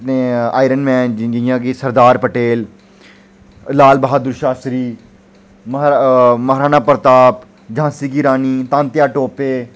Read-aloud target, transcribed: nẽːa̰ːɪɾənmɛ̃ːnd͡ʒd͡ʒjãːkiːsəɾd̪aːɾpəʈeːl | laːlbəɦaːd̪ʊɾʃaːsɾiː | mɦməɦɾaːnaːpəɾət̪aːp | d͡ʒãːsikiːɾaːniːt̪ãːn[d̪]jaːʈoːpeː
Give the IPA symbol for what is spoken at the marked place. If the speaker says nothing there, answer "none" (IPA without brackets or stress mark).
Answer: t̪